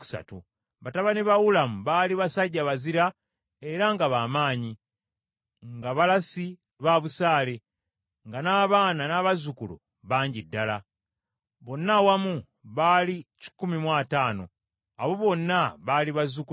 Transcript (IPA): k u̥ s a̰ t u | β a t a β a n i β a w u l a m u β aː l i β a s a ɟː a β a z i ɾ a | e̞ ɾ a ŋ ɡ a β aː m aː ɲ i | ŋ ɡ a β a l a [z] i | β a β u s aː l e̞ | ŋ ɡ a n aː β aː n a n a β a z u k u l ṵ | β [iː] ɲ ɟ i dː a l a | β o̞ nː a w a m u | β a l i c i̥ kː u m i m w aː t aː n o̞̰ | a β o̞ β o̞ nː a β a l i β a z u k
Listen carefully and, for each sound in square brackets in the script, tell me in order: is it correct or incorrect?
incorrect, incorrect

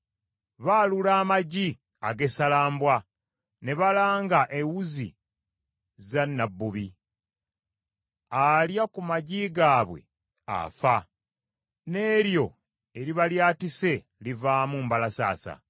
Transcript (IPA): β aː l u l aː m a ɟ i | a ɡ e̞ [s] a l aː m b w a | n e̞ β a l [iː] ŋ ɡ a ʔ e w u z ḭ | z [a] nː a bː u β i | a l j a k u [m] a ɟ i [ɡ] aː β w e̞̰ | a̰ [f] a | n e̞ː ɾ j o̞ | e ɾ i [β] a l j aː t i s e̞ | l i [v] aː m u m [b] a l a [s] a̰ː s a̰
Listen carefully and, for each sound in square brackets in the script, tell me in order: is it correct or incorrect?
correct, incorrect, correct, correct, correct, correct, correct, correct, correct, correct

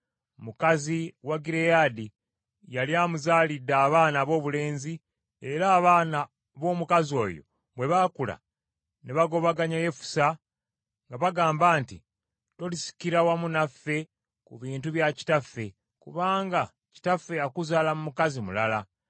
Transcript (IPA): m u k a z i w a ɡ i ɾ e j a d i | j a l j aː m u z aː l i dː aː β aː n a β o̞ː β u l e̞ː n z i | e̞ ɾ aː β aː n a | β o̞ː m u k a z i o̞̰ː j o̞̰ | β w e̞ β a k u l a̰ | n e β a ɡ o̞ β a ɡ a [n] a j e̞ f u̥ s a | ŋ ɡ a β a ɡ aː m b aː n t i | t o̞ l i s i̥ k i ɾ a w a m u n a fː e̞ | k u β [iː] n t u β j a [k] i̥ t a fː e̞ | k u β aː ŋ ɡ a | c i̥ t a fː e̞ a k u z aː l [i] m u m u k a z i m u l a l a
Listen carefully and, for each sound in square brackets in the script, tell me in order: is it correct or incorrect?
incorrect, correct, incorrect, incorrect

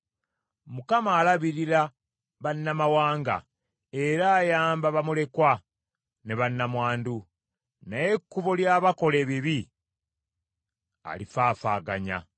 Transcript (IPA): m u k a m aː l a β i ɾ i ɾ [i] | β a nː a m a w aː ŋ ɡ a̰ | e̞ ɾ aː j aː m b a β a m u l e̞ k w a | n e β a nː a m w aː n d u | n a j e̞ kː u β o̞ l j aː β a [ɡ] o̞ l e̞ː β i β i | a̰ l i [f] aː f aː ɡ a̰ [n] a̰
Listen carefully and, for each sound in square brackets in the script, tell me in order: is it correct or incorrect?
incorrect, incorrect, correct, incorrect

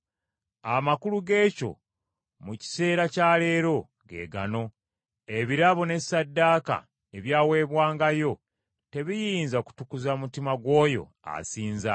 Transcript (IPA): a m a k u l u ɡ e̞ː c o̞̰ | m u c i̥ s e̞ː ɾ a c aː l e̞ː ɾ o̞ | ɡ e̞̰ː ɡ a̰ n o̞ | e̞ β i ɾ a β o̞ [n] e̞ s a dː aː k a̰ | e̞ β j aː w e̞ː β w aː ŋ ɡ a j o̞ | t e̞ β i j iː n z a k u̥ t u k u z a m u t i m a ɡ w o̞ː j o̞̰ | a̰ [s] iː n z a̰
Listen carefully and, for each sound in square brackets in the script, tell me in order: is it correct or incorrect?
correct, correct

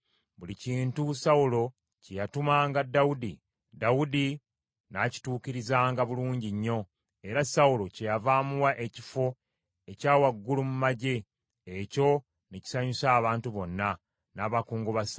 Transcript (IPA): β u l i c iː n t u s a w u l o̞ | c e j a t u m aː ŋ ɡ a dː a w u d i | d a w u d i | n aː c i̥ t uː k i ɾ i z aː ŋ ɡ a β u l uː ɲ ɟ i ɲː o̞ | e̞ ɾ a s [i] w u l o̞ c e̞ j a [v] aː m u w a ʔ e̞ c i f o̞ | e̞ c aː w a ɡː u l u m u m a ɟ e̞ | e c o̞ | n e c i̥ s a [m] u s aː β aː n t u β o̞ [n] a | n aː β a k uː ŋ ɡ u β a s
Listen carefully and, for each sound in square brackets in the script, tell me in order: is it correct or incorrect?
incorrect, correct, incorrect, incorrect

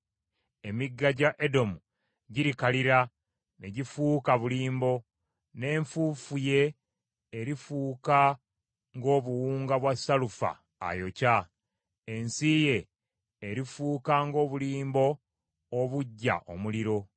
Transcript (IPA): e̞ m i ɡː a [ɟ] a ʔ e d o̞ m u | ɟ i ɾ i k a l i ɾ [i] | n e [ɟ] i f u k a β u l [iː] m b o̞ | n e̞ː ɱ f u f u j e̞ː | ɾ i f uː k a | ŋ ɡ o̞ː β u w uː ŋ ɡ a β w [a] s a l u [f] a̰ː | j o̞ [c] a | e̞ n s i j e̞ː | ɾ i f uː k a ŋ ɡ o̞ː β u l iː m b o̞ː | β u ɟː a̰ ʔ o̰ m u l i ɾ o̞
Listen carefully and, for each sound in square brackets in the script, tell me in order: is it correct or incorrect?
correct, incorrect, correct, correct, correct, correct, correct

